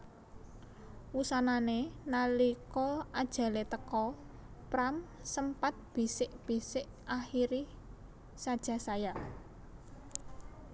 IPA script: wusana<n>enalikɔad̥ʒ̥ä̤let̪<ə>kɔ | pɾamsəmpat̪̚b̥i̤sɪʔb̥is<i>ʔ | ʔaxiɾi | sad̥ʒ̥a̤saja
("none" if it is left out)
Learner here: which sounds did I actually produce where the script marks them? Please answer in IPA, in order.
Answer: n, ə, ɪ

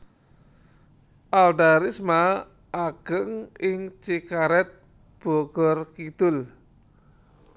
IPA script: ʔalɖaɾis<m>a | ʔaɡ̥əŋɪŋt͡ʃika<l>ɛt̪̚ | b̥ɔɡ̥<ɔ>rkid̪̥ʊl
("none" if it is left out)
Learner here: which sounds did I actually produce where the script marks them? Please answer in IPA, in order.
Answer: m, ɾ, ɔ

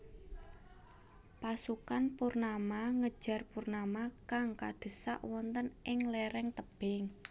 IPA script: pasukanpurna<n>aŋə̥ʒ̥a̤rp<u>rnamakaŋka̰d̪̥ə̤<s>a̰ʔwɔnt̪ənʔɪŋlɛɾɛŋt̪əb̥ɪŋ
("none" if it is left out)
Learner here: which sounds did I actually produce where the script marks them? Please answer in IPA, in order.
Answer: m, u, s

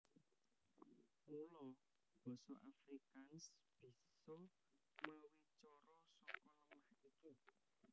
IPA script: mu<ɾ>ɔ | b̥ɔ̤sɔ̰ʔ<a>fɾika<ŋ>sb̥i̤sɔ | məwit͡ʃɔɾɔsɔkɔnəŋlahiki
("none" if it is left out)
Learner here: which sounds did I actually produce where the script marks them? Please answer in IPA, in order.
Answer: l, a, n

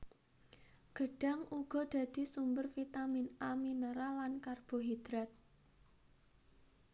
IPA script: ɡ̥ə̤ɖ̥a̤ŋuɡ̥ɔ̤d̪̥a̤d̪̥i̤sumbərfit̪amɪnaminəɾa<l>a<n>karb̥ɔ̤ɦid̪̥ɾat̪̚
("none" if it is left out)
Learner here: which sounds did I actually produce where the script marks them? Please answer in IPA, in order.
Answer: l, n

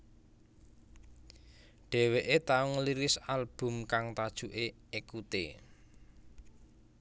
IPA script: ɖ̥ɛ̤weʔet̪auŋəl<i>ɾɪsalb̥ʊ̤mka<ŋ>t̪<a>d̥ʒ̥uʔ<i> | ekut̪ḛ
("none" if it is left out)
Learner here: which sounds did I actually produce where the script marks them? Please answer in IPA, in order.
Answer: i, ŋ, a, e

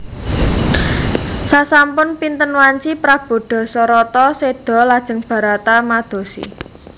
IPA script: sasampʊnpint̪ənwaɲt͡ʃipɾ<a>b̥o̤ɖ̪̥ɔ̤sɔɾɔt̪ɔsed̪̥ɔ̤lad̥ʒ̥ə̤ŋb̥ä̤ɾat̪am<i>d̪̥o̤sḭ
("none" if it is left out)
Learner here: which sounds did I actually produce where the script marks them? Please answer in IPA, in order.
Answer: a, a

